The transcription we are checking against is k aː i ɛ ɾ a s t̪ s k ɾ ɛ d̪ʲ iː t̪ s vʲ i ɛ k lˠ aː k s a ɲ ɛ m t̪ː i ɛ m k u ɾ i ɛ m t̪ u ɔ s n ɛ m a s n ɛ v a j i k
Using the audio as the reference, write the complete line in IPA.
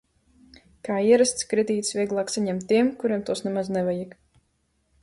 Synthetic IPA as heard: k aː i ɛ ɾ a s t̪ s k ɾ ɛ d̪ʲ iː t̪ s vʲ i ɛ ɡ lˠ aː k s a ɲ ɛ m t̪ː i ɛ m k u ɾ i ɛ m t̪ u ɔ s n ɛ m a z n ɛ v a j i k